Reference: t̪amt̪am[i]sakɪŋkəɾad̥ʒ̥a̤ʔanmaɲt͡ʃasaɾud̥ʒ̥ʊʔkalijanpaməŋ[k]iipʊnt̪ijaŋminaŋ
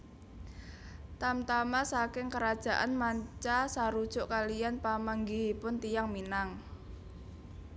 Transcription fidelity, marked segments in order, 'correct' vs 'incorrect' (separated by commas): incorrect, incorrect